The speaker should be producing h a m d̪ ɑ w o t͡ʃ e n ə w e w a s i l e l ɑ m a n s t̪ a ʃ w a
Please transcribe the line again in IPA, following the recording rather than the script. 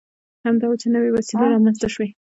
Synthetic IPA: h a m d̪ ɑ w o t͡ʃ e n ə w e w a s i l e ɾ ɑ m a n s t̪ a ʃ w e